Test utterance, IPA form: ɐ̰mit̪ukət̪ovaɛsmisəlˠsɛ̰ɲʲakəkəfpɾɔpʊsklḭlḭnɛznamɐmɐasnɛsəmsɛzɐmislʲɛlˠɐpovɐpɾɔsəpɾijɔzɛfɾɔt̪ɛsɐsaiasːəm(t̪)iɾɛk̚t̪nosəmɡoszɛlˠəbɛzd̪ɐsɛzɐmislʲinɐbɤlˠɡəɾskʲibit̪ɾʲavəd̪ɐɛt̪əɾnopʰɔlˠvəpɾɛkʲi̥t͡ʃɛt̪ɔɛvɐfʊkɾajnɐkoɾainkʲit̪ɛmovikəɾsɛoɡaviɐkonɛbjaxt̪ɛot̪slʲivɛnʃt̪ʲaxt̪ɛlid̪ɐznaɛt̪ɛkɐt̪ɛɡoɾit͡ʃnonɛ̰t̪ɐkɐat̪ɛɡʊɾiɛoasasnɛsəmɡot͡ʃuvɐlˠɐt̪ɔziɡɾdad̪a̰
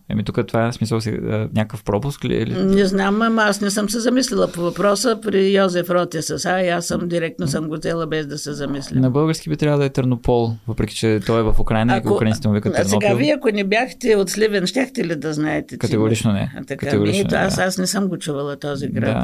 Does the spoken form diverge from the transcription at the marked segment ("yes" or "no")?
yes